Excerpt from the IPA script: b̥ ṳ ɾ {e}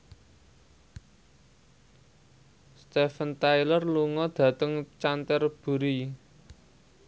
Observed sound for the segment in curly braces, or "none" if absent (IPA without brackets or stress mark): i